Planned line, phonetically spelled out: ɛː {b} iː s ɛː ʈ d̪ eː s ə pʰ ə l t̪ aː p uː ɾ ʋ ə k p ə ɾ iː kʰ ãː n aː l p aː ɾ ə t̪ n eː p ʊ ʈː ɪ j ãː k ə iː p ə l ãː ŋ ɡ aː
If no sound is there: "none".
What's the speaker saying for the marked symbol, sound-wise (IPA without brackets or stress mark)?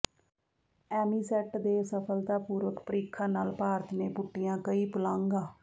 m